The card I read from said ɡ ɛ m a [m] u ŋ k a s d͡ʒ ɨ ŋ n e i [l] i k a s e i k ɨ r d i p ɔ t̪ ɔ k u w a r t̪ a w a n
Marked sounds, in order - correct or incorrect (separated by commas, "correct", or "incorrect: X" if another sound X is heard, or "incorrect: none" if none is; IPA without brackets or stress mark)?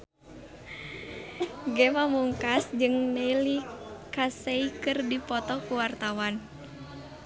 correct, correct